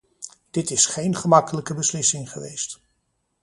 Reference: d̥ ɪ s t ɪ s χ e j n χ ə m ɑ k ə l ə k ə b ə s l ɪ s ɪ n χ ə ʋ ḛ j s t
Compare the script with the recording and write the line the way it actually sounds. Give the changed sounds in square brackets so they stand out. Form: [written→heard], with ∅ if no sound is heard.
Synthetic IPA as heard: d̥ ɪ [s→∅] t ɪ s χ e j n χ ə m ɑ k ə l ə k ə b ə s l ɪ s ɪ [n→ŋ] χ ə ʋ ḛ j s t